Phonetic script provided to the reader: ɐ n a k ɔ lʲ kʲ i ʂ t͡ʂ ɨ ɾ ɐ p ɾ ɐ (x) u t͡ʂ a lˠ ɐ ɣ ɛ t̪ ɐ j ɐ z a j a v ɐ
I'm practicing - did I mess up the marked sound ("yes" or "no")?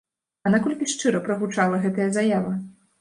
yes